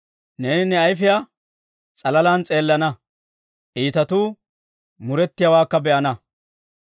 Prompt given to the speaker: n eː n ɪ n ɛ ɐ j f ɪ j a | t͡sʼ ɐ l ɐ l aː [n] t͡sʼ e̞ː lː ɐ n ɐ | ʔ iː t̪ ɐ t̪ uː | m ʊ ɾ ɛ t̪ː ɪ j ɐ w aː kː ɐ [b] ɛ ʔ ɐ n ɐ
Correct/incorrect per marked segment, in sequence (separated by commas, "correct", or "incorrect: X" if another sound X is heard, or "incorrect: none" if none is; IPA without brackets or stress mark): correct, correct